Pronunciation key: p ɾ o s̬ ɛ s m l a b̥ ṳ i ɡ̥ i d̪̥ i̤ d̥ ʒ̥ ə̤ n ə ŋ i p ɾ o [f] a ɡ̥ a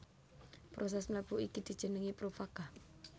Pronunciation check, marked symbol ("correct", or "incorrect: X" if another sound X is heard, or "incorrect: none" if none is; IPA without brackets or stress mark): correct